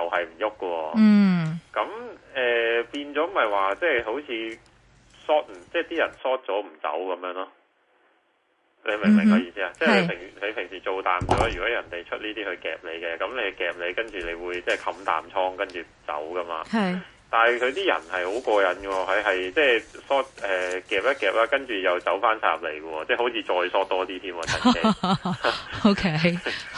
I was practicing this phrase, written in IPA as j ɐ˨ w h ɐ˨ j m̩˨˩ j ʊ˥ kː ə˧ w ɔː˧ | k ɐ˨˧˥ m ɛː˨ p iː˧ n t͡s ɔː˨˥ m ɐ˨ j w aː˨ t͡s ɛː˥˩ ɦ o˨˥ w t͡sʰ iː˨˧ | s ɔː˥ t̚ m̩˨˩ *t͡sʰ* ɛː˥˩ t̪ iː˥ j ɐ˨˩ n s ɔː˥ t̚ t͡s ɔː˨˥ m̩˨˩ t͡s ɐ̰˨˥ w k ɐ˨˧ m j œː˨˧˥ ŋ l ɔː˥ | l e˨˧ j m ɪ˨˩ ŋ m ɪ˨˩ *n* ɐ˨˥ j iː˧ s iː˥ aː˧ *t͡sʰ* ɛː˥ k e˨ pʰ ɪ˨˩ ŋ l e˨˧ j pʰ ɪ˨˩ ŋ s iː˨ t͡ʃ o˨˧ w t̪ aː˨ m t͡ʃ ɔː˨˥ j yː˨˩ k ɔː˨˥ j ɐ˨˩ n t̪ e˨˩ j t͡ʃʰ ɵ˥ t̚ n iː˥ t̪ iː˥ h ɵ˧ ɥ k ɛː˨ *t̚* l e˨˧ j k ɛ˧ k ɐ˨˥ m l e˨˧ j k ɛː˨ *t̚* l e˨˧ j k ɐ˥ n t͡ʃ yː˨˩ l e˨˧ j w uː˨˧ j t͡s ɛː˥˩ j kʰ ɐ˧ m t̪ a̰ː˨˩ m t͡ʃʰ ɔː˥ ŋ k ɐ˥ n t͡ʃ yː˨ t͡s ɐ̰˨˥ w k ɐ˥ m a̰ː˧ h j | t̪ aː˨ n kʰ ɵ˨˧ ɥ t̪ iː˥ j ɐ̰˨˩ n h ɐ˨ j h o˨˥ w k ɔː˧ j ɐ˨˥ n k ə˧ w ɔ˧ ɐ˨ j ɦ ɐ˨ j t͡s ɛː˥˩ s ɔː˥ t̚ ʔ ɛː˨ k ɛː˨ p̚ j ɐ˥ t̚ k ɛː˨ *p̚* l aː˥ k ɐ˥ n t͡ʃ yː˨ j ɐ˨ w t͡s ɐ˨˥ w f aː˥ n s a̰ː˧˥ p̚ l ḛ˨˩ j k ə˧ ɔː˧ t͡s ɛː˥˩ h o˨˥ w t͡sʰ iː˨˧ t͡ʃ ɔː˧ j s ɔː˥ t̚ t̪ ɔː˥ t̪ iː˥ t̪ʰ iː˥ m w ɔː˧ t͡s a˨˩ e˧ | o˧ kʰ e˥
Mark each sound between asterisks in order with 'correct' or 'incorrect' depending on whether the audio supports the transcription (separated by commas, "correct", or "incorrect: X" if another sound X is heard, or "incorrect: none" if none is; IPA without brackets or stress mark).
incorrect: t͡s, incorrect: ŋ, incorrect: t͡s, incorrect: p̚, incorrect: p̚, correct